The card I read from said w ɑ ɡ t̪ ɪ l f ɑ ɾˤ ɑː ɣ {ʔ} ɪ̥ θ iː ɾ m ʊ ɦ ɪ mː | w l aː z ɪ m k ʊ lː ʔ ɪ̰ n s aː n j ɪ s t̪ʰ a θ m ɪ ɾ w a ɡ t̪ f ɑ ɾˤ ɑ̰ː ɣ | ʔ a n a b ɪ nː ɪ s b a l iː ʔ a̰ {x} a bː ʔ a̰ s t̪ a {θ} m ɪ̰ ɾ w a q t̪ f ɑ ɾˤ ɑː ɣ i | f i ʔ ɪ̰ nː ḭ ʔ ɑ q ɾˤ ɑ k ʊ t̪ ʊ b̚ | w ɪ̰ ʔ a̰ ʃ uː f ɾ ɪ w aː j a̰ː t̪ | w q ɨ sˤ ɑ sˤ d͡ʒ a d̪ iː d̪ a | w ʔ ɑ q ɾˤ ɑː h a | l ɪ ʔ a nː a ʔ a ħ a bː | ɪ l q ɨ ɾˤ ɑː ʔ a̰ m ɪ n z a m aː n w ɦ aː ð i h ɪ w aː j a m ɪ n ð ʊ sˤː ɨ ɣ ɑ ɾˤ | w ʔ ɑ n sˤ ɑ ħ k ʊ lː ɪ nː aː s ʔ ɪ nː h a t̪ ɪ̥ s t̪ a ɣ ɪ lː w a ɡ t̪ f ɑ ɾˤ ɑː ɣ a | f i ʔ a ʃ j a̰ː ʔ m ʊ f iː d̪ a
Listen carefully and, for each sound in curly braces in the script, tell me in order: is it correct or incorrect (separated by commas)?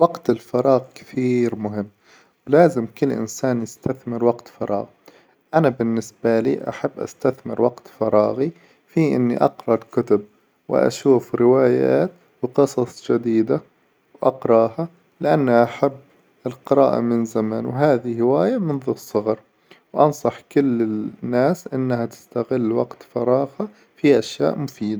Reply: incorrect, incorrect, correct